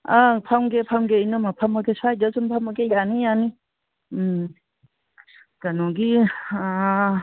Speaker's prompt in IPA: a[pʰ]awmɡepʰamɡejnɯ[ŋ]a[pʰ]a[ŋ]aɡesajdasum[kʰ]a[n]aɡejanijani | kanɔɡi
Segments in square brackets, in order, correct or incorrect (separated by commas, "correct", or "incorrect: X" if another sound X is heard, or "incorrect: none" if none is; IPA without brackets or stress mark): correct, incorrect: m, correct, incorrect: m, incorrect: pʰ, incorrect: m